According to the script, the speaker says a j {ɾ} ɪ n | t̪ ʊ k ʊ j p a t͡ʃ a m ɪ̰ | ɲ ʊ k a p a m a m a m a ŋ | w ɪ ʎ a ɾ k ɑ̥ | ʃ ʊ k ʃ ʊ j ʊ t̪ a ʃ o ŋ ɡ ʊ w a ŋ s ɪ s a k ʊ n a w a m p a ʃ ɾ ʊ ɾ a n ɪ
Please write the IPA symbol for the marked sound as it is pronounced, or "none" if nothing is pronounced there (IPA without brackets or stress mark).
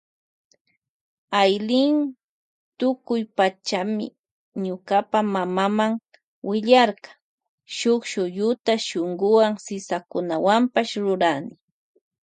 l